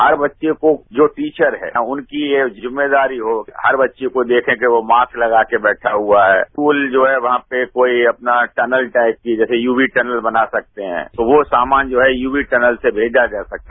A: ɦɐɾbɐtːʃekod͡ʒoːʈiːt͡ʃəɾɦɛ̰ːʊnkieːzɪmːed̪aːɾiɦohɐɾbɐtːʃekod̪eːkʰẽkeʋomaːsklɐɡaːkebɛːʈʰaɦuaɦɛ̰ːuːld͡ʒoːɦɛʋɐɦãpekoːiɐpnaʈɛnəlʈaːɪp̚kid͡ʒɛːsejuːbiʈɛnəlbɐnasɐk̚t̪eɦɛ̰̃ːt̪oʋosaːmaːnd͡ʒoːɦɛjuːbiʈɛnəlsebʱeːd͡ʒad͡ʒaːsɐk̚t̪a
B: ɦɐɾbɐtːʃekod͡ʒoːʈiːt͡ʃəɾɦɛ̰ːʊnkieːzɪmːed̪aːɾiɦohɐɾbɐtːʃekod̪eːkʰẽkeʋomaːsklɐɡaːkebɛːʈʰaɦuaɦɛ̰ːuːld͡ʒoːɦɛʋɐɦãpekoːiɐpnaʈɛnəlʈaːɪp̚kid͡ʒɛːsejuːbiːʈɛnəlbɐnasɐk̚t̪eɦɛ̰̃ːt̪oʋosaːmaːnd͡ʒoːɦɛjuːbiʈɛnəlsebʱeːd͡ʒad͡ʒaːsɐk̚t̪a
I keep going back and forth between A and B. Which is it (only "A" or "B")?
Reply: A